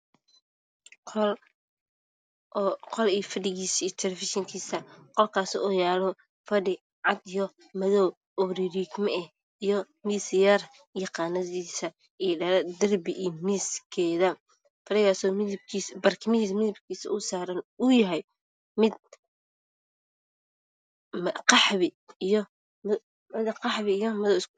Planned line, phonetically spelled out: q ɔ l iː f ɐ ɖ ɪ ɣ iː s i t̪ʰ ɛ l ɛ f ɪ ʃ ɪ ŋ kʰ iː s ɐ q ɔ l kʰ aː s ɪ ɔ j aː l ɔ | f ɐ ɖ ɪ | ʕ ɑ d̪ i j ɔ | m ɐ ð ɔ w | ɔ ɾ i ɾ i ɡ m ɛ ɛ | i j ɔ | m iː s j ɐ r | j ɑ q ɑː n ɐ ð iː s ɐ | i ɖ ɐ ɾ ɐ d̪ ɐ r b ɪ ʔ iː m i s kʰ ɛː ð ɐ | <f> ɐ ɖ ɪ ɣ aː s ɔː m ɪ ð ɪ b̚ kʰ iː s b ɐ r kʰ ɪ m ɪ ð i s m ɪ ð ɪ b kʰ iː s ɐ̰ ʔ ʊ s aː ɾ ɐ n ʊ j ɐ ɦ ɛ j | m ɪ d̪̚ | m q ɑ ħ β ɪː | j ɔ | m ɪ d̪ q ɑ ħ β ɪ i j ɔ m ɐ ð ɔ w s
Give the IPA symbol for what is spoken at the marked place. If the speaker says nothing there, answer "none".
f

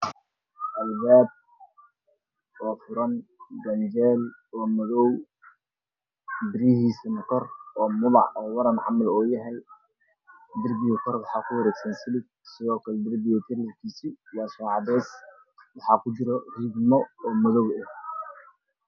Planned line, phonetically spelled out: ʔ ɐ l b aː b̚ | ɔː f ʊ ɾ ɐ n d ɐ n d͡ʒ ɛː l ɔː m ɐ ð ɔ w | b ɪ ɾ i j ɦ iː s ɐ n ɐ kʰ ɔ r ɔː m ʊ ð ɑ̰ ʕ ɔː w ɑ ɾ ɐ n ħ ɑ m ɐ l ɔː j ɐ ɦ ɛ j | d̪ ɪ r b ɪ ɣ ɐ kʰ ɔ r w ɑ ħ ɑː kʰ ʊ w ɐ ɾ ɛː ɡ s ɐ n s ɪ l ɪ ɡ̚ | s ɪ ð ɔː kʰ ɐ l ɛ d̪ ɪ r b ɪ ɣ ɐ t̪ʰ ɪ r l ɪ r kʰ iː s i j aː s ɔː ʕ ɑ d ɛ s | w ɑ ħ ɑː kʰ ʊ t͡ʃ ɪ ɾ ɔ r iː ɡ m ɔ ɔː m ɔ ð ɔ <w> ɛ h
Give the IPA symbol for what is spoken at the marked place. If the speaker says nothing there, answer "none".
w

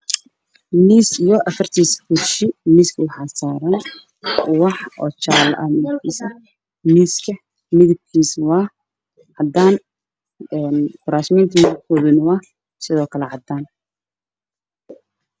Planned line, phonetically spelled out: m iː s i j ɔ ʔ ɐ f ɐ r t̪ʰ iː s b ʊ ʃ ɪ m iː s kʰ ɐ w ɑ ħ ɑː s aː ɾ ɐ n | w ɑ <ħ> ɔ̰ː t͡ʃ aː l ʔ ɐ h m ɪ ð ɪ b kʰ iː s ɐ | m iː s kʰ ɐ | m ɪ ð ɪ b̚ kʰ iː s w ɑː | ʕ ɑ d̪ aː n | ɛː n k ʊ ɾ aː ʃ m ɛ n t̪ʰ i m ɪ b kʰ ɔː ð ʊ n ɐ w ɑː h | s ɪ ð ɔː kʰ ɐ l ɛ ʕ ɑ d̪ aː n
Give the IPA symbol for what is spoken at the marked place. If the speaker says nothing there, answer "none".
ħ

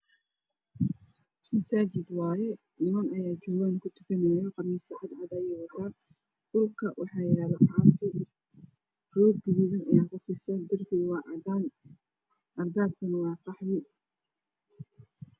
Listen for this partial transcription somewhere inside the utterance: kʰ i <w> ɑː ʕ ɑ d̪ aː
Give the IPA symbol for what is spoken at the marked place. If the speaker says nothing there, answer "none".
w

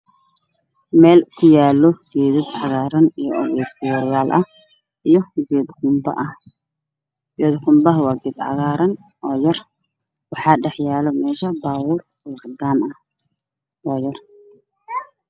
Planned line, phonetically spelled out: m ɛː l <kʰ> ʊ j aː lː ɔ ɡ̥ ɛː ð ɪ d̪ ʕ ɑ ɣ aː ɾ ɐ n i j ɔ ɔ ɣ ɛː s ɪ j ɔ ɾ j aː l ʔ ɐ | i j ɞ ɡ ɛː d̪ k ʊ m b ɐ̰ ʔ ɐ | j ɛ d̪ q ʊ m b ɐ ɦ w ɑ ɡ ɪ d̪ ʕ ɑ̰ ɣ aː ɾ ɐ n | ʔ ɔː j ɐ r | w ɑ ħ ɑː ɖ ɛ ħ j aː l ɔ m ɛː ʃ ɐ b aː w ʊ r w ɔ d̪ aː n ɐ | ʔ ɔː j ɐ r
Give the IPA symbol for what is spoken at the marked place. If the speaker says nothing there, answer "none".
kʰ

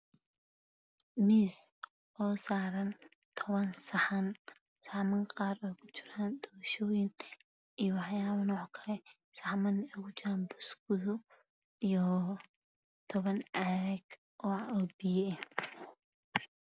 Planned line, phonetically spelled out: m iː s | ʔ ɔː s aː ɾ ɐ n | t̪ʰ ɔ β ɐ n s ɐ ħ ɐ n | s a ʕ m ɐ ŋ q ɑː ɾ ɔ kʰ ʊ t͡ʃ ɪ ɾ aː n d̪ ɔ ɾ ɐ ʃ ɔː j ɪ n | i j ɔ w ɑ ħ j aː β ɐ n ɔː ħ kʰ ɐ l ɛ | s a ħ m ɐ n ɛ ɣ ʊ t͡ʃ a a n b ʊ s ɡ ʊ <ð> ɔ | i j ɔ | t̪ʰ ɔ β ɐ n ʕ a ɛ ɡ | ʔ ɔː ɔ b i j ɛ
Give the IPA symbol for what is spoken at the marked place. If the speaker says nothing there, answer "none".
ð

